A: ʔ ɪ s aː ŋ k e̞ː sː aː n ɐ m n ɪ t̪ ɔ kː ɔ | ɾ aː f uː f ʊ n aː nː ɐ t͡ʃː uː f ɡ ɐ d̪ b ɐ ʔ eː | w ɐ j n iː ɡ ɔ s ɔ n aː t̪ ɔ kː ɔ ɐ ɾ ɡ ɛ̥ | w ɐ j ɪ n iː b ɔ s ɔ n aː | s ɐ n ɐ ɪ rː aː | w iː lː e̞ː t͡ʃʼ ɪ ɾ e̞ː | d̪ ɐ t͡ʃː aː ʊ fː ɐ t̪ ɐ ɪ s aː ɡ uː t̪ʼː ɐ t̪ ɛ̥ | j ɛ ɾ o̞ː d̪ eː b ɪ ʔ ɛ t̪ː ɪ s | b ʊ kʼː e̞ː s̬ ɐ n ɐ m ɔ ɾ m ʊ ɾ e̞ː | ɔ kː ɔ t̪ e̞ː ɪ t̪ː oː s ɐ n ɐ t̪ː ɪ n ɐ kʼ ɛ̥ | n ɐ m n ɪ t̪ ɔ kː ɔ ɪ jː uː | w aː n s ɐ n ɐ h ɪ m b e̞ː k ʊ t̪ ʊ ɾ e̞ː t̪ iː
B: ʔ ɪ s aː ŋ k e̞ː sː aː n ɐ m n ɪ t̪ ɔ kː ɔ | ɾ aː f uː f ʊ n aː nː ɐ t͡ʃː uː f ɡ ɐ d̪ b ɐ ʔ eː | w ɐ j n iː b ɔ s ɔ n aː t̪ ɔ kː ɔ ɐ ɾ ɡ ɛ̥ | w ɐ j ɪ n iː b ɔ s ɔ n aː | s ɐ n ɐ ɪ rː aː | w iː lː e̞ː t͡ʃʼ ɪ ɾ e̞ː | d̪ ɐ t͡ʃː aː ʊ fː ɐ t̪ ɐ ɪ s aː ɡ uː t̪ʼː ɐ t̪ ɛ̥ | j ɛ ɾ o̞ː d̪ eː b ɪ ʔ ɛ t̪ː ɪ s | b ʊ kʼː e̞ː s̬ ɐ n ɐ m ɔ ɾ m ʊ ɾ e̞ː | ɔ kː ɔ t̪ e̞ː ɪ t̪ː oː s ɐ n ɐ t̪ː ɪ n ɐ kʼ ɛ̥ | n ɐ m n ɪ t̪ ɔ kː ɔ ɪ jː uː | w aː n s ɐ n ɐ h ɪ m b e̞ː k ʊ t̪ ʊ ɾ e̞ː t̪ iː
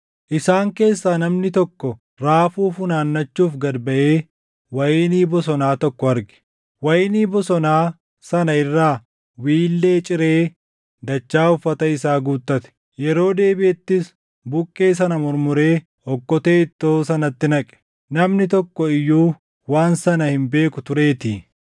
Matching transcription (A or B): B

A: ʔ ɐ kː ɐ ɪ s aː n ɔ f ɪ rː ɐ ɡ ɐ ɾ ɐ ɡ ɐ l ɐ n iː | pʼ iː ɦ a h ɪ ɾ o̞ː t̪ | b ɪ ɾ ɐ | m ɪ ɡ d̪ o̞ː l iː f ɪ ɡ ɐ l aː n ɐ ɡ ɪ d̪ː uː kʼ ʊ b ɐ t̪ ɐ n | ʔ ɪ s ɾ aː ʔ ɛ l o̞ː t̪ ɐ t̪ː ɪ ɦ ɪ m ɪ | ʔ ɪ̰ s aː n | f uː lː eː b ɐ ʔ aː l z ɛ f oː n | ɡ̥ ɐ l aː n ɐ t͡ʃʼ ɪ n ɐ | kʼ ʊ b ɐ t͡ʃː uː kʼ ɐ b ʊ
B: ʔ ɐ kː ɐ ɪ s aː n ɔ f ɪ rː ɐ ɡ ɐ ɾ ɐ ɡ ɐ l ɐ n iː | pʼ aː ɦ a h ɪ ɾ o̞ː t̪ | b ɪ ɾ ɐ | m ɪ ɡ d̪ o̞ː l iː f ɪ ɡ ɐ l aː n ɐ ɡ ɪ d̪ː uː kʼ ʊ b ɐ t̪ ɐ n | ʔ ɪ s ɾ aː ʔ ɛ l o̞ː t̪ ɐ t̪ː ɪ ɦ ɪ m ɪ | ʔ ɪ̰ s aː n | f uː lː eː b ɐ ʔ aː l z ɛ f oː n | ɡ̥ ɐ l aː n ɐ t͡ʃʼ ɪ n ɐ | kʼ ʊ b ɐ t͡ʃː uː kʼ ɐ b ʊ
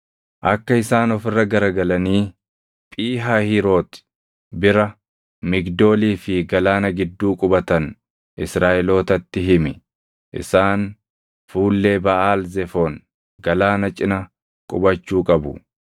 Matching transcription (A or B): A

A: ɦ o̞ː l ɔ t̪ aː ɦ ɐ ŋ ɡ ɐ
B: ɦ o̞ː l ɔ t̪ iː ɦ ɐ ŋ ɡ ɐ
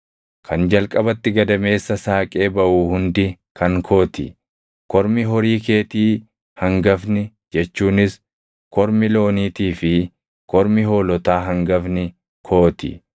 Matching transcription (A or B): A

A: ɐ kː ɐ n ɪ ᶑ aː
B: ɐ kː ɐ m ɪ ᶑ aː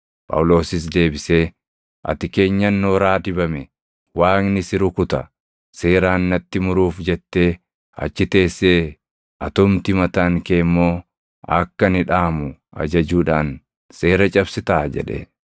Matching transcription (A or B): A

